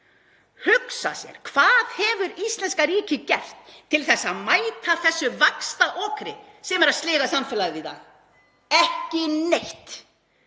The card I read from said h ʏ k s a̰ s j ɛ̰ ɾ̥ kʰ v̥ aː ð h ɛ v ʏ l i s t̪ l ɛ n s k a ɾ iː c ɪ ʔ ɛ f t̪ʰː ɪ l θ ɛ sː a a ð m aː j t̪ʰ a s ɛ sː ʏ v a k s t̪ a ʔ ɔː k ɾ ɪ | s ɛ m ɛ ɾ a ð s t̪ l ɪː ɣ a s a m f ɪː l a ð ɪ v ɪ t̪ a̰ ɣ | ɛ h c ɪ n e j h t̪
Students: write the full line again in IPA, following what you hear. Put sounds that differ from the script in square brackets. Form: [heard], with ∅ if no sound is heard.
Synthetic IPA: h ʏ k s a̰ s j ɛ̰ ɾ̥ kʰ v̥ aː ð h ɛ v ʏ [ɾ] i s t̪ l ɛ n s k a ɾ iː c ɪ [c] ɛ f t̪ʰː ɪ l θ ɛ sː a a ð m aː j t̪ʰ a [θ] ɛ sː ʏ v a k s t̪ a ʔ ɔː k ɾ ɪ | s ɛ m ɛ ɾ a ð s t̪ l ɪː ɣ a s a m f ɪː l a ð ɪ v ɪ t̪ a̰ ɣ | ɛ h c ɪ n e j h t̪